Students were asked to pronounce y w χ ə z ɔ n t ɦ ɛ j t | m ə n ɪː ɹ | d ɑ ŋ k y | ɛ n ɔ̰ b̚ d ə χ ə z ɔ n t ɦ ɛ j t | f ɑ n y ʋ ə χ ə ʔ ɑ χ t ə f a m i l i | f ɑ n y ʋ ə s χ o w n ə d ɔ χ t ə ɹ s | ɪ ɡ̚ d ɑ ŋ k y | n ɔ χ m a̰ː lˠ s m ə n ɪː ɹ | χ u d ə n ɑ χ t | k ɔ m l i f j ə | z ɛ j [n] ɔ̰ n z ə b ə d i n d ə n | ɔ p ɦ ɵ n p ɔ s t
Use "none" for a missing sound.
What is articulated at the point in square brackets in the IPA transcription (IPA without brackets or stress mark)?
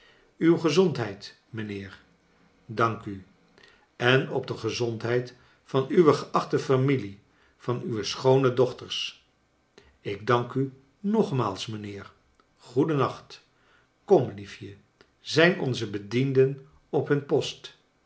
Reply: n